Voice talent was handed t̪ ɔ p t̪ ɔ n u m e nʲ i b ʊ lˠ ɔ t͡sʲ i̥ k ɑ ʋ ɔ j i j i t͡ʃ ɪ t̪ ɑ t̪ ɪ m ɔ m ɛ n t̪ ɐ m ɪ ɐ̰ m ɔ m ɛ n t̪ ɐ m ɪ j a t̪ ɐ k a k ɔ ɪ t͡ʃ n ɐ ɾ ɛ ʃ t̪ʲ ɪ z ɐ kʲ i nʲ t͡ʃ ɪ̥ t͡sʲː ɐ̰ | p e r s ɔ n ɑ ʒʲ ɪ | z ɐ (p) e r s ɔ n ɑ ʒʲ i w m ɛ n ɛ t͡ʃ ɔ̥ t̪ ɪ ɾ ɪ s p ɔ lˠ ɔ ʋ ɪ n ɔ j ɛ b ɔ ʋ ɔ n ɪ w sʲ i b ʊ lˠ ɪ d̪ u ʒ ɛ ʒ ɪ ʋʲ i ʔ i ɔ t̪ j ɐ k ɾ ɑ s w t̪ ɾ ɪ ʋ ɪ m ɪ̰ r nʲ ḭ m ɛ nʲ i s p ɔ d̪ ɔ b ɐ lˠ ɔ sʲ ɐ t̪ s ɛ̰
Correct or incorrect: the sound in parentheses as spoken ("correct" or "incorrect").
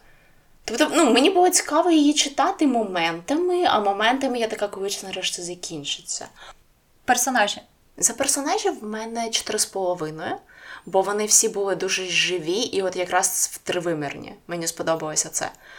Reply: correct